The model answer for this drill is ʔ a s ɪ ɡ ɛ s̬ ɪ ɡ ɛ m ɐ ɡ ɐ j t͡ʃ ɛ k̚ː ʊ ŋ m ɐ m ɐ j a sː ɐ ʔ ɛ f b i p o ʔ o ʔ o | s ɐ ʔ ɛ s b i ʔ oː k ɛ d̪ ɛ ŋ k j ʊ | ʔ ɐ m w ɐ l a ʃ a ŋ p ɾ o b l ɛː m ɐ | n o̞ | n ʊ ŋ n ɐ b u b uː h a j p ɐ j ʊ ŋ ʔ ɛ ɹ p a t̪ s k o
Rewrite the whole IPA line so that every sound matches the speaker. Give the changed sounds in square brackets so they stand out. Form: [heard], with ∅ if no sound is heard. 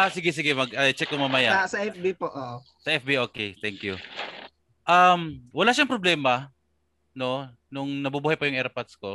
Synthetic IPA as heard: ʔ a s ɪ ɡ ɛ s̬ ɪ ɡ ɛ m ɐ ɡ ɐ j t͡ʃ ɛ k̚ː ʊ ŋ m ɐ m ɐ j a [s] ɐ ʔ ɛ f b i p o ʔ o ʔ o | s ɐ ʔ ɛ [f] b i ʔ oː k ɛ [t̪] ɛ ŋ k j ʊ | ʔ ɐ m w ɐ l a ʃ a ŋ p ɾ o b l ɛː m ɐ | n o̞ | n ʊ ŋ n ɐ b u b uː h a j p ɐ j ʊ ŋ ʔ ɛ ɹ p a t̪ s k o